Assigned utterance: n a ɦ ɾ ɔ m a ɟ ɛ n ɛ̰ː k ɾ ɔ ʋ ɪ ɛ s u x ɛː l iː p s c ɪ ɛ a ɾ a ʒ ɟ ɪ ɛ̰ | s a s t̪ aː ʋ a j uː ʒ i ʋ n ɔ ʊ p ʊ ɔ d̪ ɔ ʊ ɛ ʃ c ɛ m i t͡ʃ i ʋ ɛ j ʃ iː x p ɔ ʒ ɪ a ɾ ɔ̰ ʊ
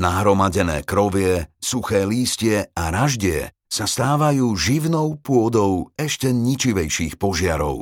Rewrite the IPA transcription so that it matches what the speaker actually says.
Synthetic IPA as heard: n a ɦ ɾ ɔ m a ɟ ɛ n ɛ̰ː k ɾ ɔ ʋ ɪ ɛ s u x ɛː l iː s c ɪ ɛ a ɾ a ʒ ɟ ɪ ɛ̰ | s a s t̪ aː ʋ a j uː ʒ i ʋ n ɔ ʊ p ʊ ɔ d̪ ɔ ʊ ɛ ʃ c ɛ ɲ i t͡ʃ i ʋ ɛ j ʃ iː x p ɔ ʒ ɪ a ɾ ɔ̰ ʊ